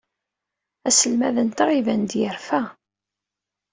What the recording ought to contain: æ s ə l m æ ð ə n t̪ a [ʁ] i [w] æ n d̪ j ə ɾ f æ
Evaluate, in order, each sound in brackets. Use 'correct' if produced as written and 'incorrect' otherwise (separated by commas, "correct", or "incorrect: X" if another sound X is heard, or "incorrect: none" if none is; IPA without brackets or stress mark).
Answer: correct, incorrect: v